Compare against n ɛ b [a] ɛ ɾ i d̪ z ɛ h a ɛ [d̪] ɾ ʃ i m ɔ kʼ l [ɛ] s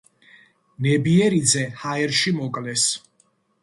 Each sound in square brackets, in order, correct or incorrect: incorrect: i, incorrect: none, correct

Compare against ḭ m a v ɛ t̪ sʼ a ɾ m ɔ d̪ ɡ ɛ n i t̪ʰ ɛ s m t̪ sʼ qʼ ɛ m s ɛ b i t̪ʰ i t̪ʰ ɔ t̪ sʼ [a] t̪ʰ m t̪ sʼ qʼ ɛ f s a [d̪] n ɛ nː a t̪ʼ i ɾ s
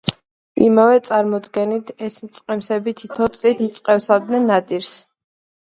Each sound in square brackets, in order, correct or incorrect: incorrect: i, correct

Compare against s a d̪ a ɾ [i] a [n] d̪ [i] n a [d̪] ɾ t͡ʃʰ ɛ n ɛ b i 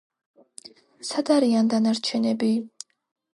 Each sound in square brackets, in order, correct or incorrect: correct, correct, incorrect: a, incorrect: none

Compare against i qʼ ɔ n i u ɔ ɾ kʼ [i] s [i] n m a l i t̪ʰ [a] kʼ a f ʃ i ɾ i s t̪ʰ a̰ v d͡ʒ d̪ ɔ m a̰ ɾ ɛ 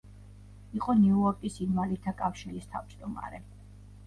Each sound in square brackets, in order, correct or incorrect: correct, correct, correct

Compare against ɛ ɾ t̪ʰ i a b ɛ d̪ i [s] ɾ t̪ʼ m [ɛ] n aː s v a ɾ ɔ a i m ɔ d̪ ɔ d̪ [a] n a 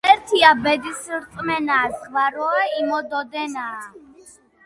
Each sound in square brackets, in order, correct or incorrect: correct, correct, incorrect: ɛ

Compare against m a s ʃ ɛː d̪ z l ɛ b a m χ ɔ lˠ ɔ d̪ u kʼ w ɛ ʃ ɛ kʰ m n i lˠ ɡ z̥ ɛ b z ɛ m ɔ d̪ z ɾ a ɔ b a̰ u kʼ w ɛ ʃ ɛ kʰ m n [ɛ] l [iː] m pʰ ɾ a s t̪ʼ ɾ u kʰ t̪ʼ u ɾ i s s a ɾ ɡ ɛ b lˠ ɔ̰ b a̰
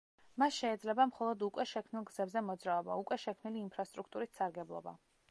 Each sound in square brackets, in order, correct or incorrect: incorrect: i, correct

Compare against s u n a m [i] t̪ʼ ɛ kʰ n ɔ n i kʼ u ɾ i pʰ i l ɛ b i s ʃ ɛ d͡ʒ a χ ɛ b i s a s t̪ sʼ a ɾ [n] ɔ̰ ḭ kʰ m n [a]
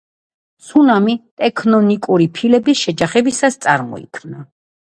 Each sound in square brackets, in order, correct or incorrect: correct, incorrect: m, correct

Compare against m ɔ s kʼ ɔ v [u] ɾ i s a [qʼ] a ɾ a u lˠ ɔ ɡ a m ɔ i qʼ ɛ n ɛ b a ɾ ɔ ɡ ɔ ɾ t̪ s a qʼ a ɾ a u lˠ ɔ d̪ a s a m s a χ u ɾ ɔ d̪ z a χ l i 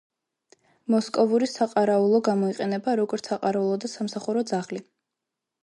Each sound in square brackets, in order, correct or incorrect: correct, correct

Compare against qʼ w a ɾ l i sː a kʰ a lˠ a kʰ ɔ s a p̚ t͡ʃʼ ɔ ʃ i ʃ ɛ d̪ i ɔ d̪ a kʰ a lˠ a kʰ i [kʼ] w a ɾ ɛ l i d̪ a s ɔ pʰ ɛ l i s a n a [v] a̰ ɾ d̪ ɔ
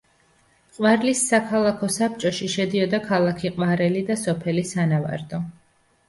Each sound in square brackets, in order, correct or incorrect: incorrect: qʼ, correct

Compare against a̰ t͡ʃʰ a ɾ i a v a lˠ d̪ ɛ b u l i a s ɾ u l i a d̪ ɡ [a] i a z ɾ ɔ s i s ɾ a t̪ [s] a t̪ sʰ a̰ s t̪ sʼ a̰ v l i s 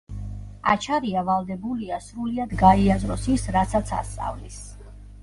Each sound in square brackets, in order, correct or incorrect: correct, correct

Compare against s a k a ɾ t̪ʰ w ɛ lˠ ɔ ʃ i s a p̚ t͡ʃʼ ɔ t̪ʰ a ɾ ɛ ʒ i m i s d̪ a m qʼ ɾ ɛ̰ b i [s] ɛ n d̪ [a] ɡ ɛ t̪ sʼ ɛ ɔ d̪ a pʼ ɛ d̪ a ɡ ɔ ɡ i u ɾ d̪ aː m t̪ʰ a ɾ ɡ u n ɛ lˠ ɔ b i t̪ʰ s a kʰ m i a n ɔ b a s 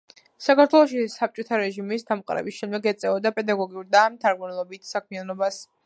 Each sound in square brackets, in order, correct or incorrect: incorrect: ʃ, incorrect: ɛ

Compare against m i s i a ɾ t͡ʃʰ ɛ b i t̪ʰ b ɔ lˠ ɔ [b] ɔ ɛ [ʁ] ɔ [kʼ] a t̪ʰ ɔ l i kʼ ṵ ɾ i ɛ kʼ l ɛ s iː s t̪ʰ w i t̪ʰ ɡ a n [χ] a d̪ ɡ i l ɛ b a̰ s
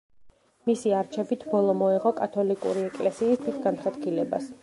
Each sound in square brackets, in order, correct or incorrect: incorrect: m, correct, correct, correct

